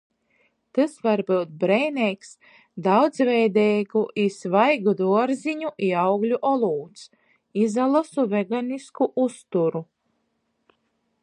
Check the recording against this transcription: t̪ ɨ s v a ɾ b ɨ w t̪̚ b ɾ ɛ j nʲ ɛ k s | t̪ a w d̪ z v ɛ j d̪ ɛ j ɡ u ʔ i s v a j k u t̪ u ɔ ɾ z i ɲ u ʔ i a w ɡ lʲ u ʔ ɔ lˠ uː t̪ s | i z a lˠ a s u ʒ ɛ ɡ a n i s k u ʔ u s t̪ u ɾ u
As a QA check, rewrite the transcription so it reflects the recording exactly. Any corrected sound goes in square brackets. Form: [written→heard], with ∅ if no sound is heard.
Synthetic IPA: t̪ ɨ s v a ɾ b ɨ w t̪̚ b ɾ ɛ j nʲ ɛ k s | [t̪→d̪] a w d̪ z v ɛ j d̪ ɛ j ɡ u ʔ i s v a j [k→ɡ] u [t̪→d̪] u ɔ ɾ z i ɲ u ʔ i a w ɡ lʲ u ʔ ɔ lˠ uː t̪ s | i z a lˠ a s u [ʒ→v] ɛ ɡ a n i s k u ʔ u s t̪ u ɾ u

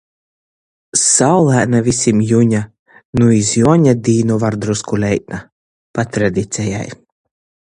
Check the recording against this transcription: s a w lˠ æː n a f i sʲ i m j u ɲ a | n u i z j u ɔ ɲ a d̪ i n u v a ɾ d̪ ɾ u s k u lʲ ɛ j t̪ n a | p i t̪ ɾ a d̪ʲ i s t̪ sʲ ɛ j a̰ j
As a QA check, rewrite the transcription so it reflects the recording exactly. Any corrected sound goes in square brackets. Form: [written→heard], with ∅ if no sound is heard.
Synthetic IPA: s a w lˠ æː n a [f→v] i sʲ i m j u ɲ a | n u i z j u ɔ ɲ a d̪ [i→iː] n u v a ɾ d̪ ɾ u s k u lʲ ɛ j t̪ n a | p [i→a] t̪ ɾ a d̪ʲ i [s→∅] t̪ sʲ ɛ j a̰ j

